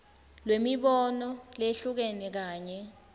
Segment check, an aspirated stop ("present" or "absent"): absent